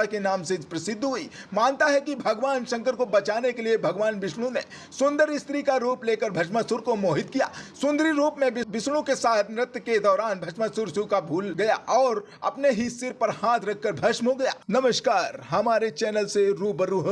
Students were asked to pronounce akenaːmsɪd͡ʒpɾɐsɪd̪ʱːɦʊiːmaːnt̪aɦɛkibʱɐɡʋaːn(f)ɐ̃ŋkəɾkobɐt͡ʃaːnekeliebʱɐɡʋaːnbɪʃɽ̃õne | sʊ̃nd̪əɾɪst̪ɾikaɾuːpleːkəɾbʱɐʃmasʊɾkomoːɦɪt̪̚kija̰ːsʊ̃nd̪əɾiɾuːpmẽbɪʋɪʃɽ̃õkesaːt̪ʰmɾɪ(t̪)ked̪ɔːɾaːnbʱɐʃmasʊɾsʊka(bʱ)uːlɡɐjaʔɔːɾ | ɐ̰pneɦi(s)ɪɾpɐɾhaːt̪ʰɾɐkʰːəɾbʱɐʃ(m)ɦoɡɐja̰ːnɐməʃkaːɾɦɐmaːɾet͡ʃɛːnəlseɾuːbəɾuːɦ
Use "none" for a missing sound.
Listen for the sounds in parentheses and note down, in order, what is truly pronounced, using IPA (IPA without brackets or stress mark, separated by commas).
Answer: ʃ, t̪, bʱ, s, m